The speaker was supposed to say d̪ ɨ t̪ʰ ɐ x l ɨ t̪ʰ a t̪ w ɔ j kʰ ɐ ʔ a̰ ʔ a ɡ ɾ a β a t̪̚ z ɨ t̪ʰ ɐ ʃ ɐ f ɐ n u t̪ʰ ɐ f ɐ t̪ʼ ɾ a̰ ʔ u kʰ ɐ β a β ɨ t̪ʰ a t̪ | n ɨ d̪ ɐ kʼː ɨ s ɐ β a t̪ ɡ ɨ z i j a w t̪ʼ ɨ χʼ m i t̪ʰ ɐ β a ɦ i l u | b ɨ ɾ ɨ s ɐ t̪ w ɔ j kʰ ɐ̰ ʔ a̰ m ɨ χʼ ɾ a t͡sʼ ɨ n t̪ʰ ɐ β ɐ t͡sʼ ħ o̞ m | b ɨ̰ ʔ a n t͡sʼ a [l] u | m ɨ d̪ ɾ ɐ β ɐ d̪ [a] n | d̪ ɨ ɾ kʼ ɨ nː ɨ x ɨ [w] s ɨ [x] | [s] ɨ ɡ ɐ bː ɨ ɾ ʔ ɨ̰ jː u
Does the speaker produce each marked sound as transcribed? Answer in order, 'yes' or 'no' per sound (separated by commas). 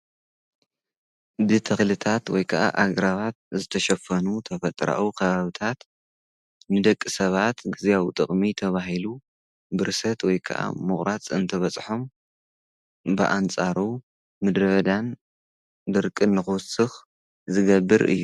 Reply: no, yes, yes, yes, no